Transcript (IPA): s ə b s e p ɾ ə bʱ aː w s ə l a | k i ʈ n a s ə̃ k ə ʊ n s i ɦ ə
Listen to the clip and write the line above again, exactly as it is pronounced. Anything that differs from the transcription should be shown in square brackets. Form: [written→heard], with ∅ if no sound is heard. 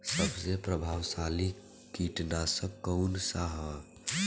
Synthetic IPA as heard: s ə b s e p ɾ ə bʱ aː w s [ə→a] l [a→i] | k i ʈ n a s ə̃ k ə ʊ n s [i→a] ɦ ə